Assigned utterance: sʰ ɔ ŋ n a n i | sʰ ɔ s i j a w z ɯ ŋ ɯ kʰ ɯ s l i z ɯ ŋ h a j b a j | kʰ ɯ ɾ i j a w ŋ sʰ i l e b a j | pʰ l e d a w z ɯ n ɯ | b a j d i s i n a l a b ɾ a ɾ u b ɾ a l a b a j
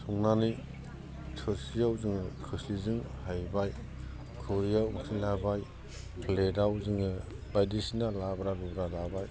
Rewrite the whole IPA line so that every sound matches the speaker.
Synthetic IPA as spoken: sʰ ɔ ŋ n a n i | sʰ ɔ s i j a w z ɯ ŋ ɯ kʰ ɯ s l i z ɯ ŋ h a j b a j | kʰ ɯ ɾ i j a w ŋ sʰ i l a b a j | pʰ l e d a w z ɯ ŋ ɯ | b a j d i s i n a l a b ɾ a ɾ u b ɾ a l a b a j